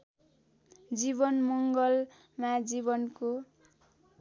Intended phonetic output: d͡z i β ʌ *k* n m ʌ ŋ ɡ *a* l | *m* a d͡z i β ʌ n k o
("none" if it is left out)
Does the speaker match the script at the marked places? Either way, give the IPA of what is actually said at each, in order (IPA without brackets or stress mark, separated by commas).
none, ʌ, m